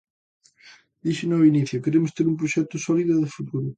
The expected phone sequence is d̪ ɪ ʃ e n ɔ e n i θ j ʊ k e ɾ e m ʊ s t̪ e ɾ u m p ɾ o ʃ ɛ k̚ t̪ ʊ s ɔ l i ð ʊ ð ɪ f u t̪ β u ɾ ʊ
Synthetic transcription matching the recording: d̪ i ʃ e n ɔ i n i θ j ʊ k e ɾ e m ʊ s t̪ e ɾ u m p ɾ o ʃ ɛ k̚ t̪ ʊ s ɔ l i ð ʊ ð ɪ f u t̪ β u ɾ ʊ